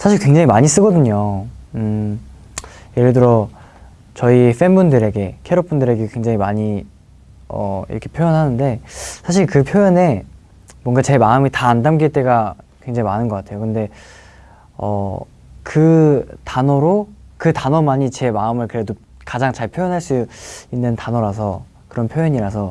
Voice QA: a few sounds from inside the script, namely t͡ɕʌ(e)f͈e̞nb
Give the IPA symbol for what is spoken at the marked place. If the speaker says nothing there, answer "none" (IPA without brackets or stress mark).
i